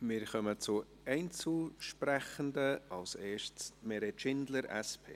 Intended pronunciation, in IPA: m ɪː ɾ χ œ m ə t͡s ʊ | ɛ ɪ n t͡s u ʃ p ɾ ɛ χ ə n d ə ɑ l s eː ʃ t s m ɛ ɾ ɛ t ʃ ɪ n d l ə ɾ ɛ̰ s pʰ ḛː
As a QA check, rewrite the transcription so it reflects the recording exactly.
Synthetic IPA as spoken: m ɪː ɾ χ œ m ə t͡s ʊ | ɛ ɪ n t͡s u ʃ p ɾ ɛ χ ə n d ə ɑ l s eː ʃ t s m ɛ ɾ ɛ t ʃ ɪ n d l ə ɾ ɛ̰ s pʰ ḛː

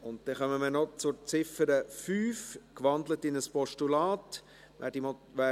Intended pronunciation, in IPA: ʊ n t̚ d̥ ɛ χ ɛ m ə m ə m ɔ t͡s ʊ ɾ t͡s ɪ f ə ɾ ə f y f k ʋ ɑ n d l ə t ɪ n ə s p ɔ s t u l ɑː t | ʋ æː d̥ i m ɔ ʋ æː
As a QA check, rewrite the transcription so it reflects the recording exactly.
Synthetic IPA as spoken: ʊ n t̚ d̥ ɛ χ œ m ə m ə n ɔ t͡s ʊ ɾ t͡s ɪ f ə ɾ ə f yː f k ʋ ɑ n d l ə t ɪ n ə s p ɔ ʃ t u l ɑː t | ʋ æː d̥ i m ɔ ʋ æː

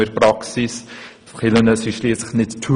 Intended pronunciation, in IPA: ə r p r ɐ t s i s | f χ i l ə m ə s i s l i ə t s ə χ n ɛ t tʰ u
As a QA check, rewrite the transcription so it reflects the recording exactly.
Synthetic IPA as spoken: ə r p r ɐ k s i s | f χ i l ə n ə s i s l i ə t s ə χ n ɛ t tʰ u

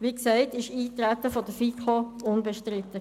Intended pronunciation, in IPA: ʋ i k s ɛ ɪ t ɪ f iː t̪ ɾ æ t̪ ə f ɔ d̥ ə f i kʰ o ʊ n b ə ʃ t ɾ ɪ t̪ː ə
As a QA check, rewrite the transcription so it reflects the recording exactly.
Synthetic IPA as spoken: ʋ i k s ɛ ɪ t ɪ ʃ iː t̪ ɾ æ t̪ ə f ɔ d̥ ə f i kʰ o ʊ n b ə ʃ t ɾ ɪ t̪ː ə

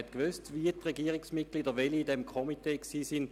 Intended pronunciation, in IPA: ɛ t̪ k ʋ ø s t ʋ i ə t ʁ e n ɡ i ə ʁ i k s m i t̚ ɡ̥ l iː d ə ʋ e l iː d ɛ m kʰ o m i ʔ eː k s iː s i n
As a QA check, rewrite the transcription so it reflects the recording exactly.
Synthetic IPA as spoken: ɛ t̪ k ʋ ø s t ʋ i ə t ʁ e ɡ i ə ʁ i k s m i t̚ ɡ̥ l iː d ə ʋ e l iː d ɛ m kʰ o m i t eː k s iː s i n

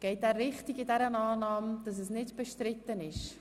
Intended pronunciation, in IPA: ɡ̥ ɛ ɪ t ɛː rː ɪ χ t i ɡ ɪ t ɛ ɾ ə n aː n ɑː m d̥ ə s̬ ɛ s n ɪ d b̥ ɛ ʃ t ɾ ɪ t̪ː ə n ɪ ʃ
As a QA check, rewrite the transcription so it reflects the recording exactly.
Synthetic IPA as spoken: ɡ̥ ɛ ɪ t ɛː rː ɪ χ t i ɡ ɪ d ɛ ɾ ə n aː n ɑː m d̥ ɑ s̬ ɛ s n ɪ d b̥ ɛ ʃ t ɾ ɪ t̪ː ə n ɪ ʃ

